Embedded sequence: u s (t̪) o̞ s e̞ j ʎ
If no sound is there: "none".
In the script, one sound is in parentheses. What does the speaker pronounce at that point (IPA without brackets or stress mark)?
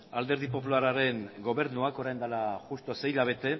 t̪